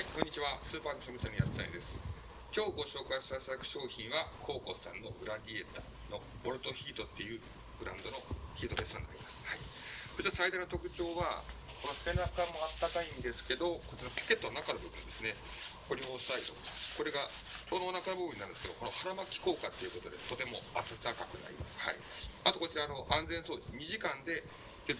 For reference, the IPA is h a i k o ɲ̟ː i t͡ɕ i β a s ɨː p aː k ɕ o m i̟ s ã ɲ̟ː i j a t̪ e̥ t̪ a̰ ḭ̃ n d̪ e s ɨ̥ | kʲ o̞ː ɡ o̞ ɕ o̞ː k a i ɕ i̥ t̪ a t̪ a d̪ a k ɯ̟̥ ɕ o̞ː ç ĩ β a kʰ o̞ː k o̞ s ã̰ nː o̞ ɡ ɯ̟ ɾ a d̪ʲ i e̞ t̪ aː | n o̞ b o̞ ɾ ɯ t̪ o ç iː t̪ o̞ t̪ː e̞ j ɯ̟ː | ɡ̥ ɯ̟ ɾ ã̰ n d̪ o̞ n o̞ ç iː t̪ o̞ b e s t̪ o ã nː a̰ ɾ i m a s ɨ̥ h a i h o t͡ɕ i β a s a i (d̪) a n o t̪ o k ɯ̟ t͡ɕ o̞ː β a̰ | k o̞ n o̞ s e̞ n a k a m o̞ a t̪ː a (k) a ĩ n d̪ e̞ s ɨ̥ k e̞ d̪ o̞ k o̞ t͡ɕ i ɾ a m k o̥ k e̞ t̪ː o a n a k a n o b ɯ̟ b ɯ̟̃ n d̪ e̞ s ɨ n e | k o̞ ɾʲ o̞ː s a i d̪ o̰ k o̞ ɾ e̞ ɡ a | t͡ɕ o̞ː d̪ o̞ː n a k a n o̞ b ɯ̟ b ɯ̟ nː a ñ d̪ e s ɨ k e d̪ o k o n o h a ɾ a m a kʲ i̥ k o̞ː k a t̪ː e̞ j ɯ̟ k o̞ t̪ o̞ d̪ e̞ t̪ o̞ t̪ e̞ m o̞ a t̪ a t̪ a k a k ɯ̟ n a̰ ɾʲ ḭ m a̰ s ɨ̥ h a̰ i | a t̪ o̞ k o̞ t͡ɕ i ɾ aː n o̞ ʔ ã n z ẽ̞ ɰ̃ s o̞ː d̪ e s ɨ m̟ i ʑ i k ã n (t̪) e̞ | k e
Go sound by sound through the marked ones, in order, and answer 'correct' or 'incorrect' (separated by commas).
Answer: correct, correct, incorrect